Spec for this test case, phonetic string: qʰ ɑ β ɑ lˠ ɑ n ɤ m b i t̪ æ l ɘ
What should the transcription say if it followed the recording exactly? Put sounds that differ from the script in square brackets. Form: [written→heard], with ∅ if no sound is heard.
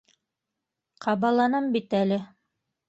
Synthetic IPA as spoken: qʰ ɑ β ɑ lˠ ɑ n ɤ m b i t̪ æ l ɘ